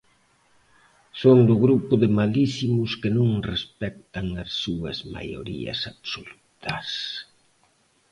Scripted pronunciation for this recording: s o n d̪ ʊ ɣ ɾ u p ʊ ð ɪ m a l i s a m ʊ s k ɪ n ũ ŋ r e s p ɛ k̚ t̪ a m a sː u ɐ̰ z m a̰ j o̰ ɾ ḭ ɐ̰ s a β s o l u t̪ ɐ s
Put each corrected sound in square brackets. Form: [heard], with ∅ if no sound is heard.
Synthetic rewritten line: s o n d̪ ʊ ɣ ɾ u p ʊ ð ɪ m a l i s [i] m ʊ s k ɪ n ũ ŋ r e s p ɛ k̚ t̪ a [ŋ] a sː u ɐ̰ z m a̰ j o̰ ɾ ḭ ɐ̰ s a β s o l u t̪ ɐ s